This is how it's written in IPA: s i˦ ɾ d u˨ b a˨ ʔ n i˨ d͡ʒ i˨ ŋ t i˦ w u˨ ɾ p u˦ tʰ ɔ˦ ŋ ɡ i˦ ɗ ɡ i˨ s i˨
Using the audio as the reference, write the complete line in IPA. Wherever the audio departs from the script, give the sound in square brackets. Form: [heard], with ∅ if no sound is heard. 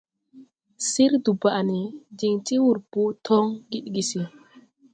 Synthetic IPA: s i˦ ɾ d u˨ b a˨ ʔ n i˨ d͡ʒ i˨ ŋ t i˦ w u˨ ɾ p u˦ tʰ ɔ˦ ŋ ɡ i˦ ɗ ɡ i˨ s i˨